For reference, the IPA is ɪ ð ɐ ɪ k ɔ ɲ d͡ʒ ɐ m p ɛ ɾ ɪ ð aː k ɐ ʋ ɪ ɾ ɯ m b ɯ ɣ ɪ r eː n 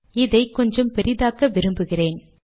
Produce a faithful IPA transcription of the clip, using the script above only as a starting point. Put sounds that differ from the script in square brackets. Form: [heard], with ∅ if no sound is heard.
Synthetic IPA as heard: ɪ ð ɐ ɪ k ɔ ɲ d͡ʒ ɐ m p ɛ ɾ ɪ ð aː k ɐ ʋ ɪ ɾ ɯ m b ɯ ɣ ɪ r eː n